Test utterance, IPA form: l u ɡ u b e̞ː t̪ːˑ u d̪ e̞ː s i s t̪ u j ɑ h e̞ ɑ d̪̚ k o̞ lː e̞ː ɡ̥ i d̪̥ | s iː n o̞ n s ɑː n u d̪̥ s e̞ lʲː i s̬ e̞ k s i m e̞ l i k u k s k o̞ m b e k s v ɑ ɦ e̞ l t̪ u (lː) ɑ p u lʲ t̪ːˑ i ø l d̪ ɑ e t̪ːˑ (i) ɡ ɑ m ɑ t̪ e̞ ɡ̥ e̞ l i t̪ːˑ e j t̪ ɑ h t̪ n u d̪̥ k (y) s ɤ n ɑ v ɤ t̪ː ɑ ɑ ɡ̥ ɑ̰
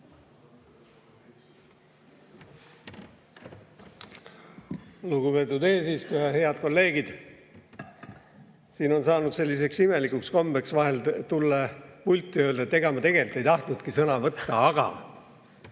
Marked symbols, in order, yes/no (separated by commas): yes, no, no